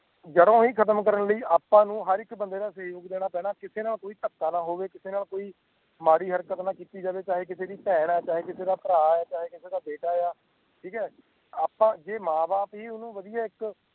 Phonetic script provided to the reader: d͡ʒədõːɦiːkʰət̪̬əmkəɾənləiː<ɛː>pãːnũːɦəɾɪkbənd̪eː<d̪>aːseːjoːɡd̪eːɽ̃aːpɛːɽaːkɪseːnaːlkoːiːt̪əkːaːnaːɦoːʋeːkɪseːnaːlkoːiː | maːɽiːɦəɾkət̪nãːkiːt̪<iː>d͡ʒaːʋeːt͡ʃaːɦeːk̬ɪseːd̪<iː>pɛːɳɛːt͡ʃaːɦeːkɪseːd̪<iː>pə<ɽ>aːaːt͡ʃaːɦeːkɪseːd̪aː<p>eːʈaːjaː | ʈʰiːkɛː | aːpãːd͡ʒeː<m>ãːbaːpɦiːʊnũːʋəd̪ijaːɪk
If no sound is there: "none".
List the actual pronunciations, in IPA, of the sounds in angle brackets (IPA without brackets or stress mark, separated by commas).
aː, d̪, iː, iː, aː, ɾ, b, m